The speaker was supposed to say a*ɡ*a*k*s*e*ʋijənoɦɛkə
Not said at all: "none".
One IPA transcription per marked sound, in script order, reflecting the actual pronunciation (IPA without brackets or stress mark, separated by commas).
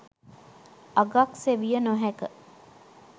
ɡ, k, e